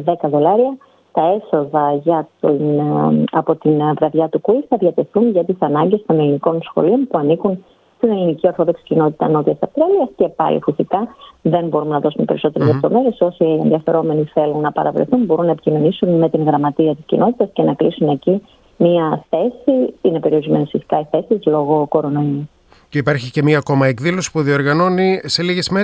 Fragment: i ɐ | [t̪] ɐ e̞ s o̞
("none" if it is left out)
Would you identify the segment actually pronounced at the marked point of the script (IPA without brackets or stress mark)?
t̪